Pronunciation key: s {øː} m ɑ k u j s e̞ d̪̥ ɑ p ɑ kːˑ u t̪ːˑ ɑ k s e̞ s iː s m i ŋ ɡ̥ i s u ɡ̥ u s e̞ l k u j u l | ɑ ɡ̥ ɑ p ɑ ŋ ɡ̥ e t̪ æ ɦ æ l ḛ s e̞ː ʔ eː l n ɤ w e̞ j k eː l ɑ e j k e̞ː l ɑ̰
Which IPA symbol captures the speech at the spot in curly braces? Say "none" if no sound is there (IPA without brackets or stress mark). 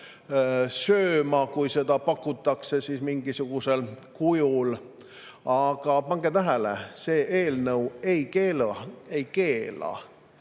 øː